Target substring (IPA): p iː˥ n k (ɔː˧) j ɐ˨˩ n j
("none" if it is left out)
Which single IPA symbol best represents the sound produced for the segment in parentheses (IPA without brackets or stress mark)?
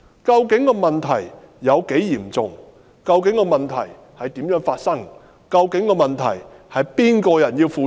ɔː˧